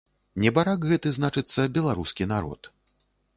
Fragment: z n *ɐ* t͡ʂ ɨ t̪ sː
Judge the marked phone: incorrect: a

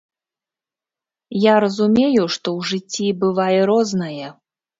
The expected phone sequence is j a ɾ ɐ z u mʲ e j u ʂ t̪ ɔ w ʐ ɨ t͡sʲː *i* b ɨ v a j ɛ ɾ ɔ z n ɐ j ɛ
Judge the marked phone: correct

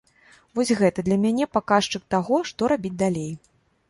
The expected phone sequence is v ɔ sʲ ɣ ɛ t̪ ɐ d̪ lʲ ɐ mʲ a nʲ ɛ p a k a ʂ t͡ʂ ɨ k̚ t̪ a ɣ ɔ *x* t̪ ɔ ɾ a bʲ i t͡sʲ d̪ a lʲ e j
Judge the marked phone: incorrect: ʂ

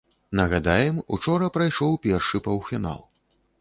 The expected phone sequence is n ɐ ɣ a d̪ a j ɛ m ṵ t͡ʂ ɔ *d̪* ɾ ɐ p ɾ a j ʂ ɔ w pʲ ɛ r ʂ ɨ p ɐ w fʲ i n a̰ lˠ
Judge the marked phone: incorrect: none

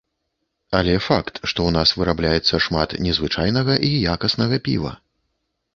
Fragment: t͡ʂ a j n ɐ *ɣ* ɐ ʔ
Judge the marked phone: correct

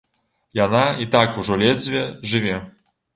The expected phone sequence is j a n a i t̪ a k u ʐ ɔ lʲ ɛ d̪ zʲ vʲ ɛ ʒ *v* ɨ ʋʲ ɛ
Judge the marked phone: incorrect: ʐ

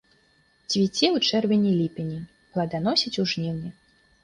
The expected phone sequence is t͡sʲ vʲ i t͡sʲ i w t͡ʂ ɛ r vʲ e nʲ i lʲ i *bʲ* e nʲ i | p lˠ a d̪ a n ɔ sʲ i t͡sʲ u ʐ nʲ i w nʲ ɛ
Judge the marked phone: incorrect: pʲ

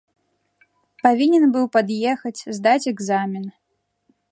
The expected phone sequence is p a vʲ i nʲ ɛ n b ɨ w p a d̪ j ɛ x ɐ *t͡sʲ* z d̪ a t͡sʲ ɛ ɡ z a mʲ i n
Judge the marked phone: correct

